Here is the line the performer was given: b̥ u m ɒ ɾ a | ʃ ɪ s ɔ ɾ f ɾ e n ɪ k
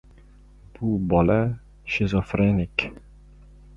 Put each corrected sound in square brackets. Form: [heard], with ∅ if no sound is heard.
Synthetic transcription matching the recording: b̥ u [b] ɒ [l] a | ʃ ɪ [z] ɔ [∅] f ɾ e n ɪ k